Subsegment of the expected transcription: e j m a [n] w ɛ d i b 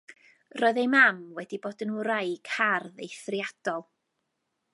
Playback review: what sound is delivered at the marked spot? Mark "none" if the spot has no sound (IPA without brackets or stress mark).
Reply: m